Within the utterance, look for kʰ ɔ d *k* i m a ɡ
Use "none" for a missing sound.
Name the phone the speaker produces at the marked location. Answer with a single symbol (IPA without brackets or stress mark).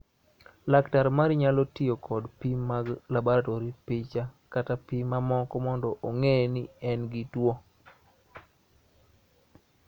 p